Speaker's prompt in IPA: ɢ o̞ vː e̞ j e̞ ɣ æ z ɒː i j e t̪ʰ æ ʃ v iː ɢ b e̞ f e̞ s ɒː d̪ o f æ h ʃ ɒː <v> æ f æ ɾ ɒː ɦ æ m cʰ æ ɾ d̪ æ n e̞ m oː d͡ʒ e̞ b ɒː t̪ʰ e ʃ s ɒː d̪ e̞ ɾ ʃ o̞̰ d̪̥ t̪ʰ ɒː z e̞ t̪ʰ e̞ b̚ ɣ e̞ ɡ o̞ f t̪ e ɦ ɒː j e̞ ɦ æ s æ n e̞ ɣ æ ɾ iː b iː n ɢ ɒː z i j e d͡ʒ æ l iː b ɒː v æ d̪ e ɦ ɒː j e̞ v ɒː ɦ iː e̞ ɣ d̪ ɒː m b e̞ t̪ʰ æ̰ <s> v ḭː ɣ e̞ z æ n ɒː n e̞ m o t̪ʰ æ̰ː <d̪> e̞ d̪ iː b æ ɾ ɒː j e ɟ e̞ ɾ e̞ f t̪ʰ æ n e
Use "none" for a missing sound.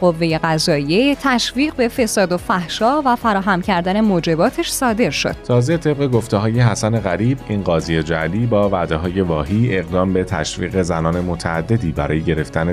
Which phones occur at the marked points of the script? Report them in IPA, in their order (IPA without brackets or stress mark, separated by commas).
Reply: v, ʃ, d̪ː